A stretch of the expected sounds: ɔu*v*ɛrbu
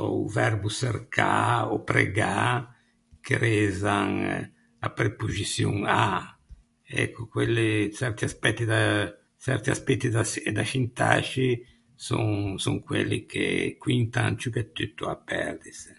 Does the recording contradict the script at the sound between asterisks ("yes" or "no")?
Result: no